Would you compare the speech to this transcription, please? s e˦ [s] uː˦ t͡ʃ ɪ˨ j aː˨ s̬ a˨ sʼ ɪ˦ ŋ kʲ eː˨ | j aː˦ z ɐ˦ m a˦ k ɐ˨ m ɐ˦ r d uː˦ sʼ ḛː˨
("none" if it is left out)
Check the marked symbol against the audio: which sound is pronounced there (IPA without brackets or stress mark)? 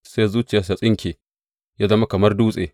z